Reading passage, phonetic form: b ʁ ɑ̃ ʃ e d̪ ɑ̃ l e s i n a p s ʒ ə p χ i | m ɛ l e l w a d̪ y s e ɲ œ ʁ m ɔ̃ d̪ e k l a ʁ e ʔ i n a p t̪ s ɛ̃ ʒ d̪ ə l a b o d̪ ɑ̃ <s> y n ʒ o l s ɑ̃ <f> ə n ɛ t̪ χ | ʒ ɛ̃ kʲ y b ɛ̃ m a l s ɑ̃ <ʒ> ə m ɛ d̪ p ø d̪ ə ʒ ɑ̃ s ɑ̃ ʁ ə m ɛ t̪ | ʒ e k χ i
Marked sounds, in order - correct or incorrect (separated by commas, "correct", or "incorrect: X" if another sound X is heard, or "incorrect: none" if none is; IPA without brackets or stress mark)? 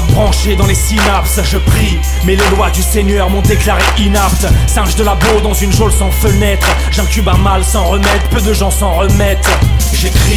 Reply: incorrect: z, correct, incorrect: ʁ